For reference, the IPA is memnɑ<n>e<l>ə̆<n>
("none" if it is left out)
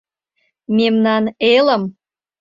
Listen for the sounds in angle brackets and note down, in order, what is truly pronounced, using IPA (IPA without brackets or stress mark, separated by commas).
n, l, m